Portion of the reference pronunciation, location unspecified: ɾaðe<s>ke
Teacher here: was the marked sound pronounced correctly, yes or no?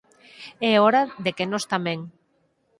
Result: no